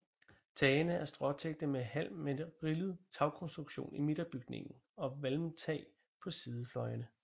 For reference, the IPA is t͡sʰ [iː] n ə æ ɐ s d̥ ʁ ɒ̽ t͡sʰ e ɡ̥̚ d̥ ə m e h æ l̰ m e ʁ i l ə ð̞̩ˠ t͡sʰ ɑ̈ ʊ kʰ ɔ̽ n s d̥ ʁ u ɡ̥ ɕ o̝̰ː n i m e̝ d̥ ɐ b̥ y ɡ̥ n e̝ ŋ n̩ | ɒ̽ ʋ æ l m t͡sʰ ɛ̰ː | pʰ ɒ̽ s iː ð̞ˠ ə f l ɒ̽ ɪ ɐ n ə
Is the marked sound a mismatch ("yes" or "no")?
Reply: yes